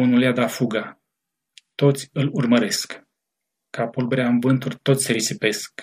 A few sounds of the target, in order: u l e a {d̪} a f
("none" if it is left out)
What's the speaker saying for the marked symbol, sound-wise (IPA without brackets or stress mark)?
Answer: d̪